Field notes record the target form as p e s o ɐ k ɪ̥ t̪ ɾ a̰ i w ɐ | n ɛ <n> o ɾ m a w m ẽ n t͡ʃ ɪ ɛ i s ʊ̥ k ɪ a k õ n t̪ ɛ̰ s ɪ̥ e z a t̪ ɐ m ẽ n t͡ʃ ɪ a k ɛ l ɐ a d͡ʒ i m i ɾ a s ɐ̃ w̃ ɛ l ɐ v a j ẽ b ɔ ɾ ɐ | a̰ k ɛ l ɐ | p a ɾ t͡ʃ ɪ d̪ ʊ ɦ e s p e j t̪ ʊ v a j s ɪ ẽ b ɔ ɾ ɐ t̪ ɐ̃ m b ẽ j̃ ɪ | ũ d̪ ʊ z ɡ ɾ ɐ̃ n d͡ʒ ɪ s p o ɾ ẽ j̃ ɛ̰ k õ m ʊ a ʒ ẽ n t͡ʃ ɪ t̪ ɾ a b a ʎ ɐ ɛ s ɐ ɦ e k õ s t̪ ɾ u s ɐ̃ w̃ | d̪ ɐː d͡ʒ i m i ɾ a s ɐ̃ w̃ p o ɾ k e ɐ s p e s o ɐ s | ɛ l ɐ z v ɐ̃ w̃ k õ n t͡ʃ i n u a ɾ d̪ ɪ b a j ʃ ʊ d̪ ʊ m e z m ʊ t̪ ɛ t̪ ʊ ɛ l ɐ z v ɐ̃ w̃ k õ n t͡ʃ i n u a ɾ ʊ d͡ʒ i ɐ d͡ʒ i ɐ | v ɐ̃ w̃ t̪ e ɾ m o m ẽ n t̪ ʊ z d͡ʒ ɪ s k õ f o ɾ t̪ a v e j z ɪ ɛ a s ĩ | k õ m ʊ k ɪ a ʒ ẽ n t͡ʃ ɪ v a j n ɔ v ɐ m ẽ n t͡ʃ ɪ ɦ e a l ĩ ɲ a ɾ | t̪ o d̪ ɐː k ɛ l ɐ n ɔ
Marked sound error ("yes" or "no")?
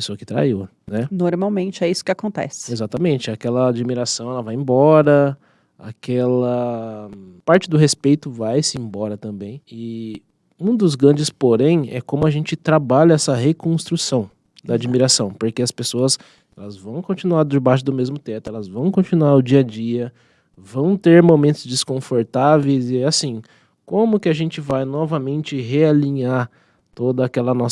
no